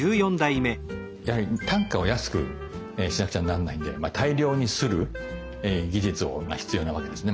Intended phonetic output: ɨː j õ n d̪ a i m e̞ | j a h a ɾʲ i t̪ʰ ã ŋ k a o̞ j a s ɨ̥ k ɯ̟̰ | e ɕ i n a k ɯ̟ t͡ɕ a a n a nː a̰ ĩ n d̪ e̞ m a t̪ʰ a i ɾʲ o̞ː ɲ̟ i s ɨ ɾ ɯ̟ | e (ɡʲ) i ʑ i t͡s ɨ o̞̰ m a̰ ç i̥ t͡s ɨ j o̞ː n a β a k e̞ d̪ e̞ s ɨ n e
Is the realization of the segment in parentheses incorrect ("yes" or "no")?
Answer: no